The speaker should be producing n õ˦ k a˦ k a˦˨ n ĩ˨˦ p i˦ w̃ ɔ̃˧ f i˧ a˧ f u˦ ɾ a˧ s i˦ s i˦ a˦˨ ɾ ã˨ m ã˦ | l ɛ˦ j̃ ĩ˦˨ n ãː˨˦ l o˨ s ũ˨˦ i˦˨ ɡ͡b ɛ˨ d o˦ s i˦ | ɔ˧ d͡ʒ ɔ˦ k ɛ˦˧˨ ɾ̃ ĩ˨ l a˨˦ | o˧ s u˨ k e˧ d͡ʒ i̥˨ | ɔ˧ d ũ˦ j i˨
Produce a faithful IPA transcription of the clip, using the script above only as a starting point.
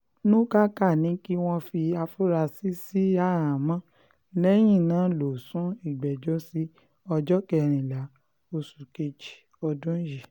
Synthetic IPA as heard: n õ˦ k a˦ k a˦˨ n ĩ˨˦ k i˦ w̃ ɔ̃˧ f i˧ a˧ f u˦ ɾ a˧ s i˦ s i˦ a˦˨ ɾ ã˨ m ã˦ | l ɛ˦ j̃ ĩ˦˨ n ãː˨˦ l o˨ s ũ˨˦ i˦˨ ɡ͡b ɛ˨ d͡ʒ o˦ s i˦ | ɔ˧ d͡ʒ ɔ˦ k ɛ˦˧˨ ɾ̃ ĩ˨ l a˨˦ | o˧ s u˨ k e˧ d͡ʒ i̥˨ | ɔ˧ d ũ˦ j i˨